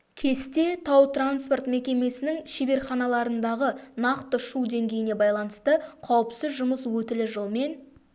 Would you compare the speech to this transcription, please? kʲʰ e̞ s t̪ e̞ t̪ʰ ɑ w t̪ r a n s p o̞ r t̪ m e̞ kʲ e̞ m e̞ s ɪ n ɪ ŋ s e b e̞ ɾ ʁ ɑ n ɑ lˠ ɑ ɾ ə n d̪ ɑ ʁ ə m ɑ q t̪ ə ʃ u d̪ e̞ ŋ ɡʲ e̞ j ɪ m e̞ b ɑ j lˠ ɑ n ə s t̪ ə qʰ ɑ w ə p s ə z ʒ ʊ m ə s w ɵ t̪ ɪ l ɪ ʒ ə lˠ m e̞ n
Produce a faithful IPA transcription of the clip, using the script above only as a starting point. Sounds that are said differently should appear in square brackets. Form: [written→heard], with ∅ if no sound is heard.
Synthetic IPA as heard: kʲʰ e̞ s t̪ e̞ t̪ʰ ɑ w t̪ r a n s p o̞ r t̪ m e̞ kʲ e̞ m e̞ s ɪ n ɪ ŋ [s→ʃ] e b e̞ ɾ [ʁ→χ] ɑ n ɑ lˠ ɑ ɾ ə n d̪ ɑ ʁ ə [m→n] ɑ q t̪ ə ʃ u d̪ e̞ ŋ ɡʲ e̞ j ɪ [m→n] e̞ b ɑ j lˠ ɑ n ə s t̪ ə qʰ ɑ w ə p s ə z ʒ ʊ m ə s w ɵ t̪ ɪ l ɪ ʒ ə lˠ m e̞ n

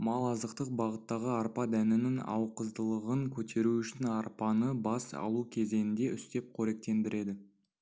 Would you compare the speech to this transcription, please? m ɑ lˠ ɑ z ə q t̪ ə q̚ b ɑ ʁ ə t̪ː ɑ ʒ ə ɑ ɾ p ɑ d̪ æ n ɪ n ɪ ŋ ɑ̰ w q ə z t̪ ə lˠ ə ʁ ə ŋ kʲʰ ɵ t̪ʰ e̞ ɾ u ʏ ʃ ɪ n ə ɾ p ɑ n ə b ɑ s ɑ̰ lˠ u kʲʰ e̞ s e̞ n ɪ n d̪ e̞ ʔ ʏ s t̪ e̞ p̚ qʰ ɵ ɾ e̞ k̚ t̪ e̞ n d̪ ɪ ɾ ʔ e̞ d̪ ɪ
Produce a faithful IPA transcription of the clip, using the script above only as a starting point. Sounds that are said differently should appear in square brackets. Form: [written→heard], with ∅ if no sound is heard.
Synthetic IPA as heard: m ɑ lˠ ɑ z ə q t̪ ə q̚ b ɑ ʁ ə t̪ː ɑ [ʒ→ʁ] ə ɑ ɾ p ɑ d̪ æ n ɪ n ɪ ŋ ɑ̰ w q ə z [t̪→d̪] ə lˠ ə ʁ ə ŋ kʲʰ ɵ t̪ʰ e̞ ɾ u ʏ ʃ ɪ n [ə→ɑ] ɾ p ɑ n ə b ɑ s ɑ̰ lˠ u kʲʰ e̞ [s→z] e̞ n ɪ n d̪ e̞ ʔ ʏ s t̪ e̞ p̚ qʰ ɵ ɾ e̞ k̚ t̪ e̞ n d̪ ɪ ɾ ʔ e̞ d̪ ɪ

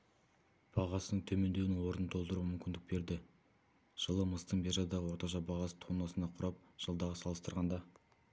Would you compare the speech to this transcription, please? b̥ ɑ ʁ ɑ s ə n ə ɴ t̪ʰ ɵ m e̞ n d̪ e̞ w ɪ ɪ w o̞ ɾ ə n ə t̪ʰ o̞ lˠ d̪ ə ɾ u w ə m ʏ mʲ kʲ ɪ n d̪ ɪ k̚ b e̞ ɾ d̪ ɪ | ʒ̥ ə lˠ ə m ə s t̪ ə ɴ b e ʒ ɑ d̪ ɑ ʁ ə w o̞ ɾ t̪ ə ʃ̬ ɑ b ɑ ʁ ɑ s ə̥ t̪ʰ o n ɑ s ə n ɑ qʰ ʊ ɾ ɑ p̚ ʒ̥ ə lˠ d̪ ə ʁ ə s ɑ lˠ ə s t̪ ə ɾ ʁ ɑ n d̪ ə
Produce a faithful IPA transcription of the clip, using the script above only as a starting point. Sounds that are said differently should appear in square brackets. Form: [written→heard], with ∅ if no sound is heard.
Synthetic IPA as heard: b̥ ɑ ʁ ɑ s ə n ə ɴ t̪ʰ ɵ m e̞ n d̪ e̞ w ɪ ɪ w o̞ ɾ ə n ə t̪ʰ o̞ lˠ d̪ ə ɾ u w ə m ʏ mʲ kʲ ɪ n d̪ ɪ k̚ b e̞ ɾ d̪ ɪ | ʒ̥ ə lˠ ə m ə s t̪ ə ɴ b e ʒ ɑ d̪ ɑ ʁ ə w o̞ ɾ t̪ [ə→ɑ] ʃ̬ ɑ b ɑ ʁ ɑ s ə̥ t̪ʰ o n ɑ s ə n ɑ qʰ ʊ ɾ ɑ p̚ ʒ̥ ə lˠ d̪ [ə→ɑ] ʁ ə s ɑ lˠ ə s t̪ ə ɾ ʁ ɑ n d̪ [ə→ɑ]

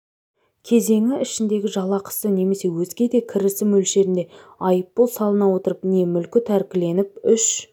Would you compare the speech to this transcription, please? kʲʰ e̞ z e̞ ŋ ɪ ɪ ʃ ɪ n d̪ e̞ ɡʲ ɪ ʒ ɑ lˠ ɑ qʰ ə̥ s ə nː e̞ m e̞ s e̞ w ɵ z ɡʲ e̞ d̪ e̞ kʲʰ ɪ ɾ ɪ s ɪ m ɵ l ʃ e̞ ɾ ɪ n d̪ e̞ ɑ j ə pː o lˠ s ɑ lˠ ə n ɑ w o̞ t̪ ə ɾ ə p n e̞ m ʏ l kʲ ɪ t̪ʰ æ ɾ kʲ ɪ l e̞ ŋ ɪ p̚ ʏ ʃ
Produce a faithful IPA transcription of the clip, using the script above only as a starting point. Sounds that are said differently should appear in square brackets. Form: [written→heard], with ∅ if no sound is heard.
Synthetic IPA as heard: kʲʰ e̞ z e̞ ŋ ɪ ɪ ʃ ɪ n d̪ e̞ ɡʲ ɪ ʒ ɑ lˠ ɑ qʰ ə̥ s ə [nː→n] e̞ m e̞ s e̞ w ɵ z ɡʲ e̞ d̪ e̞ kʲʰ ɪ ɾ ɪ s ɪ m ɵ l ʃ e̞ ɾ ɪ n d̪ e̞ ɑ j ə pː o lˠ s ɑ lˠ ə n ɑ w o̞ t̪ ə ɾ ə p n e̞ m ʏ l kʲ ɪ t̪ʰ æ ɾ kʲ ɪ l e̞ [ŋ→n] ɪ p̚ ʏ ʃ

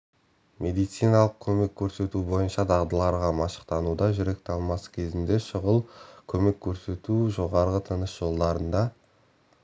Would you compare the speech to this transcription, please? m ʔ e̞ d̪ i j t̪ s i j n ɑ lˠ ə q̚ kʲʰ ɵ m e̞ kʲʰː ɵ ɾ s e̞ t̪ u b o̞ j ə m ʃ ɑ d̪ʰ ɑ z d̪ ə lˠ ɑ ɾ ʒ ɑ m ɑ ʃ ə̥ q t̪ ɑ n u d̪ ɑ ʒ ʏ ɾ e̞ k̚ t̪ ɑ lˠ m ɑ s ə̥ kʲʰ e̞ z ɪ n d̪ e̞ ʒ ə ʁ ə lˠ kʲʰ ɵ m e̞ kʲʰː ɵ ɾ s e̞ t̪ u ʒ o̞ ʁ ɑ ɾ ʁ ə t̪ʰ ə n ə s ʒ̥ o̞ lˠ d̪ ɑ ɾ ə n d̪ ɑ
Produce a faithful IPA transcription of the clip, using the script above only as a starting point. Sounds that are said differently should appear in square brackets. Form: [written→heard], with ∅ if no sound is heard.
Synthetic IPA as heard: m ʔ e̞ d̪ i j t̪ s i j n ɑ lˠ ə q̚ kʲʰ ɵ m e̞ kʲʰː ɵ ɾ s e̞ t̪ u b o̞ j ə [m→n] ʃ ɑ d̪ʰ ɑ [z→ʁ] d̪ ə lˠ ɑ ɾ [ʒ→ʁ] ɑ m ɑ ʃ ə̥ q t̪ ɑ n u d̪ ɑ ʒ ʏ ɾ e̞ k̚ t̪ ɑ lˠ m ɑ s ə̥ kʲʰ e̞ z ɪ n d̪ e̞ [ʒ→ʃ] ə ʁ ə lˠ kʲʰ ɵ m e̞ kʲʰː ɵ ɾ s e̞ t̪ u ʒ o̞ ʁ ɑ ɾ ʁ ə t̪ʰ ə n ə s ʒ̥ o̞ lˠ d̪ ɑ ɾ ə n d̪ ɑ

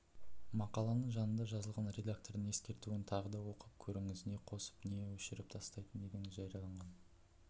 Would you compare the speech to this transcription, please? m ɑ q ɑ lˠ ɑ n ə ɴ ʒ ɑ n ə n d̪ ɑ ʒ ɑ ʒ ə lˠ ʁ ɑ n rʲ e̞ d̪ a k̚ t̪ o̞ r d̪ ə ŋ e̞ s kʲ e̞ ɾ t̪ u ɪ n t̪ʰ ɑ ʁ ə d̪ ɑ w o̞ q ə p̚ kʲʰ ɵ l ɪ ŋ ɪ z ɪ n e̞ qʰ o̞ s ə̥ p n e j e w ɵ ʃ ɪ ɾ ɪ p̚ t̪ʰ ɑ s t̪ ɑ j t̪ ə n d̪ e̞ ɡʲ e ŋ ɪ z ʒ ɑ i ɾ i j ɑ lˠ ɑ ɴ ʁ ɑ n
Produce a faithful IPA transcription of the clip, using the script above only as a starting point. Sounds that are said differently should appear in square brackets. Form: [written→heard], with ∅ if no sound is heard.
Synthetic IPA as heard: m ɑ q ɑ lˠ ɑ n ə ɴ ʒ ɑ n ə n d̪ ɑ ʒ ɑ [ʒ→z] ə lˠ ʁ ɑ n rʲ e̞ d̪ a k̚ t̪ o̞ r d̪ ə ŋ e̞ s kʲ e̞ ɾ t̪ u ɪ n t̪ʰ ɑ ʁ ə d̪ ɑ w o̞ q ə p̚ kʲʰ ɵ [l→ɾ] ɪ ŋ ɪ z ɪ n e̞ qʰ o̞ s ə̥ p n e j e w ɵ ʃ ɪ ɾ ɪ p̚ t̪ʰ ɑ s t̪ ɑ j t̪ ə n d̪ e̞ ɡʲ e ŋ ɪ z ʒ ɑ [i→j] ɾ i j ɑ lˠ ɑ ɴ ʁ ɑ n

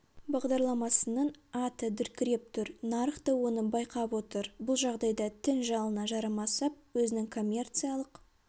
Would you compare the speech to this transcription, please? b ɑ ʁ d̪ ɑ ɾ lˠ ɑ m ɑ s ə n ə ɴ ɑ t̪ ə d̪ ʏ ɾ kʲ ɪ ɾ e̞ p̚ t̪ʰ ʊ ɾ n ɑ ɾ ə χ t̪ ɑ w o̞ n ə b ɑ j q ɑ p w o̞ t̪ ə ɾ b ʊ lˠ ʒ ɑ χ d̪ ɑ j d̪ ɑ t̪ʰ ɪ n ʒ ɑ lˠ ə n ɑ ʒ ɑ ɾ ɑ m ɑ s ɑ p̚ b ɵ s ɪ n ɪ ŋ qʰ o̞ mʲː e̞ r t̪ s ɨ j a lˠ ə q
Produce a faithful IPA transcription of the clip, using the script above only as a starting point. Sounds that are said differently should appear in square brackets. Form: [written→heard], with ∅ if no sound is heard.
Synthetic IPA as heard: b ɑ ʁ d̪ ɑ ɾ lˠ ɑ m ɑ s ə n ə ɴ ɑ t̪ ə d̪ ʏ ɾ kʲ ɪ ɾ e̞ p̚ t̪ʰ ʊ ɾ n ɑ ɾ ə χ t̪ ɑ w o̞ n ə b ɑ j q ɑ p w o̞ t̪ ə ɾ b ʊ lˠ ʒ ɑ [χ→ʁ] d̪ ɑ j d̪ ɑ t̪ʰ ɪ n ʒ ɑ lˠ ə n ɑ ʒ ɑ ɾ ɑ m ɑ s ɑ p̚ [b→w] ɵ [s→z] ɪ n ɪ ŋ [qʰ→kʰ] o̞ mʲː e̞ r t̪ s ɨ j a lˠ ə q

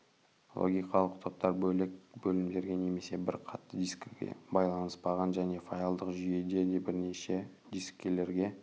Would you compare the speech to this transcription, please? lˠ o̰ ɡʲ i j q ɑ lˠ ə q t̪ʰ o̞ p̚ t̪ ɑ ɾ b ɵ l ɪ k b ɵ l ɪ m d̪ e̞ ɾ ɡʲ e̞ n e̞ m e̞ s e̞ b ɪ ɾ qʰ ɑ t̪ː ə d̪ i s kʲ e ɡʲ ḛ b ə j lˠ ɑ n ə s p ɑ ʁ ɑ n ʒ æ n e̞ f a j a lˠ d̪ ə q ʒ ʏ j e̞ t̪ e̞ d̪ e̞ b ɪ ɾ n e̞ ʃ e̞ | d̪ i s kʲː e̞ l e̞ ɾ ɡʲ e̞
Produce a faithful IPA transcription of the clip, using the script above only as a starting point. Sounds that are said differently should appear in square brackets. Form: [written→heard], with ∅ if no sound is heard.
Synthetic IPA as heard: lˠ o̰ ɡʲ i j q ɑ lˠ ə q t̪ʰ o̞ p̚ t̪ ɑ ɾ b ɵ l ɪ k b ɵ l ɪ m d̪ e̞ ɾ ɡʲ e̞ n e̞ m e̞ s e̞ b ɪ ɾ qʰ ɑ t̪ː ə d̪ i s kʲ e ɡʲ ḛ b [ə→ɑ] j lˠ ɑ n ə s p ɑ ʁ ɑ n ʒ æ n e̞ f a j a lˠ d̪ ə q ʒ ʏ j e̞ [t̪→d̪] e̞ d̪ e̞ b ɪ ɾ n e̞ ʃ e̞ | d̪ i s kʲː e̞ l e̞ ɾ ɡʲ e̞

